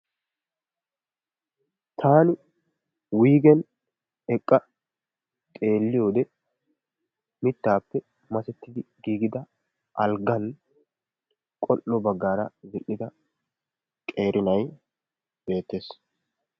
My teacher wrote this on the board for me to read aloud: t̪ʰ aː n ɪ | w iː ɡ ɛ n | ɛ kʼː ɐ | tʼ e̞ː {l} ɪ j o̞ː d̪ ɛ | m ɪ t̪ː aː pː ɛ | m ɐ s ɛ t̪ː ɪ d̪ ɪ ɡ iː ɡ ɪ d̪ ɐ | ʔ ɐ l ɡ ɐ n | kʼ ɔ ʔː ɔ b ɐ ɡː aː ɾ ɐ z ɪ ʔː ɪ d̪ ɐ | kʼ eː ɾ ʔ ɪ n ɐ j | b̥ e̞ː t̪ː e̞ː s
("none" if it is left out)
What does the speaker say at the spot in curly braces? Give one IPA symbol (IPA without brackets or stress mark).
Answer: lː